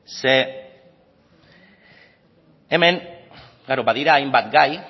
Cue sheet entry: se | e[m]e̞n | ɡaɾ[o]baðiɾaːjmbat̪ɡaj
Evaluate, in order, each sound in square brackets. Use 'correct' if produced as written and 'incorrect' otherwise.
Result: correct, correct

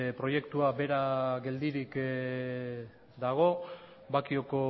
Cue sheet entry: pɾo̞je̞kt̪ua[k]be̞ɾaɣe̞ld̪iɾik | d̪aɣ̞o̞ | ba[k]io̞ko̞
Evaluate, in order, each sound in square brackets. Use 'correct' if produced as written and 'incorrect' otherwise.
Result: incorrect, correct

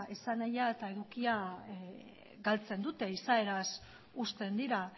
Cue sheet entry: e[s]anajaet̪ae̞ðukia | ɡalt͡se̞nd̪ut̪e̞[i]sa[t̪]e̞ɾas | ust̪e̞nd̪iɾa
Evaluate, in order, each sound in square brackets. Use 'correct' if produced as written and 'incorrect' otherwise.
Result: correct, correct, incorrect

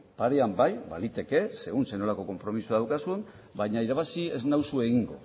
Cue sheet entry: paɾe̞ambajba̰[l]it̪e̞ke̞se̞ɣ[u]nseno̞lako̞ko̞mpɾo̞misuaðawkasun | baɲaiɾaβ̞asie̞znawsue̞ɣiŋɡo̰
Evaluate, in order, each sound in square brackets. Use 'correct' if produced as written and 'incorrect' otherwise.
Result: correct, correct

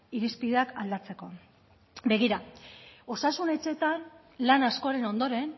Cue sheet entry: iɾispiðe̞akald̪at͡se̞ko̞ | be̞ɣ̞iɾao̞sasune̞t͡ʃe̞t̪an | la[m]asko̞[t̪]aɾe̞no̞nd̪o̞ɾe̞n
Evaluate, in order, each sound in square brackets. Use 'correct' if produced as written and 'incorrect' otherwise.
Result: incorrect, incorrect

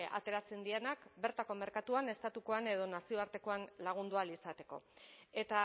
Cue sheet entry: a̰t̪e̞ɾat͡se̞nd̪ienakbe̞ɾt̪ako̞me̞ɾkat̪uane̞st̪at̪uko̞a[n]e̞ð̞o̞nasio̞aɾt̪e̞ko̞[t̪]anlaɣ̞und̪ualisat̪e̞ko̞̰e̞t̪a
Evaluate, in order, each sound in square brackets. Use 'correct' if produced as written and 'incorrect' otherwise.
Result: correct, incorrect

